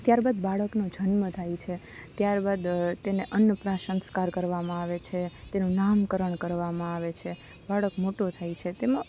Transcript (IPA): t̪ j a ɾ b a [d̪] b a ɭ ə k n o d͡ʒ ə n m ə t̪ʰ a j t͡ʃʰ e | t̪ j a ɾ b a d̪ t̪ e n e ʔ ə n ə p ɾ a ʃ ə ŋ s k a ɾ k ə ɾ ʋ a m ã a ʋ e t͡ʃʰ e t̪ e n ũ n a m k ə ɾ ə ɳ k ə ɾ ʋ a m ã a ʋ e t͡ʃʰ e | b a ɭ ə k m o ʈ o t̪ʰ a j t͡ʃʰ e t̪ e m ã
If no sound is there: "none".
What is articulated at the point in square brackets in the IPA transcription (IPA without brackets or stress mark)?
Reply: d̪